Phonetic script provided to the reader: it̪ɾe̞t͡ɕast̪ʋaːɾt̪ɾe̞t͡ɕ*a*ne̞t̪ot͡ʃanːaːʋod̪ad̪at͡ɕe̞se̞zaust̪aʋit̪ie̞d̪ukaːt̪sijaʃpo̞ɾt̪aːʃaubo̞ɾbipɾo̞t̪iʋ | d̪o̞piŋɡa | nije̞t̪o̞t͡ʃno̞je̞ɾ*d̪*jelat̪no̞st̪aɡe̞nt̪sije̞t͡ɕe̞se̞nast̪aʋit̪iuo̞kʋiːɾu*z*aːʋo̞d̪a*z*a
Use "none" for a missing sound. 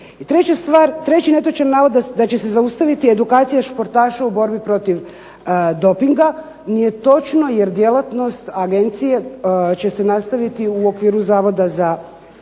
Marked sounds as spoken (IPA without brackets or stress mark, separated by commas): i, d̪, z, z